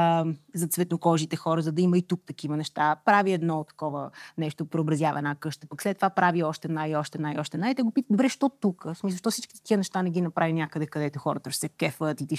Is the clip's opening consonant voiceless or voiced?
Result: voiced